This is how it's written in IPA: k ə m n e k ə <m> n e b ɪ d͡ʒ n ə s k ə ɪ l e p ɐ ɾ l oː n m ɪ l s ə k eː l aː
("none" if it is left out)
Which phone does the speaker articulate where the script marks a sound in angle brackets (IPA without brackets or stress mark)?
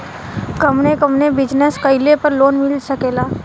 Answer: m